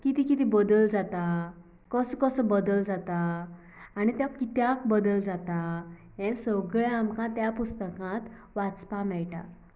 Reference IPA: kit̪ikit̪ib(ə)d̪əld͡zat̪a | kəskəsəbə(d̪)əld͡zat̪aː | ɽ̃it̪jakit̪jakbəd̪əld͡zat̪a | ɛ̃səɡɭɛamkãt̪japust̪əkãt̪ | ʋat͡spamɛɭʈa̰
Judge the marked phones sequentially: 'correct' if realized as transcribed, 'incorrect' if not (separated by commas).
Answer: correct, correct